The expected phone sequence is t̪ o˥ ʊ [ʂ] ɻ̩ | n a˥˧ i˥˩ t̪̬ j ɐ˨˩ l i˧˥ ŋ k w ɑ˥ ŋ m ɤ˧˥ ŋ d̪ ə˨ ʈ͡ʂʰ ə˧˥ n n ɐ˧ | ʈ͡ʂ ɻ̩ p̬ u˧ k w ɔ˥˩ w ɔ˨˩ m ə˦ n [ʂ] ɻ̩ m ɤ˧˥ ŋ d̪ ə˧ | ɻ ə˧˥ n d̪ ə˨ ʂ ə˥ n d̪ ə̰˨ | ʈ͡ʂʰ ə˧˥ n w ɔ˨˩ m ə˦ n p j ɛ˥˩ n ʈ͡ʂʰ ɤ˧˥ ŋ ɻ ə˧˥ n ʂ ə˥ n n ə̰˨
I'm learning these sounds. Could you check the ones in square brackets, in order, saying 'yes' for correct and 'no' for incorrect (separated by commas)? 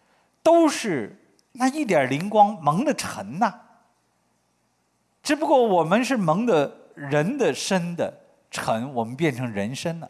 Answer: yes, yes